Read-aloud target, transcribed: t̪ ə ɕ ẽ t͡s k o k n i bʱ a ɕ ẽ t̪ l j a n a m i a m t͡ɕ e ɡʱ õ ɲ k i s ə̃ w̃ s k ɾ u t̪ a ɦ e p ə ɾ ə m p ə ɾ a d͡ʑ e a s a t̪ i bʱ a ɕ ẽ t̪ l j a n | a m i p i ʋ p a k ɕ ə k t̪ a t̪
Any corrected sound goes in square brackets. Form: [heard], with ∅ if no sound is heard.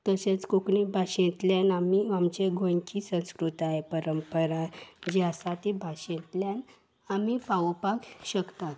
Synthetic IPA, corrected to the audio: t̪ ə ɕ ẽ t͡s k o k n i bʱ a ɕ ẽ t̪ l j a n a m i a m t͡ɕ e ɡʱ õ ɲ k i s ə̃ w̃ s k ɾ u t̪ a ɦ e p ə ɾ ə m p ə ɾ a d͡ʑ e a s a t̪ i bʱ a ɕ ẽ t̪ l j a n | a m i p [a] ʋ p a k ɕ ə k t̪ a t̪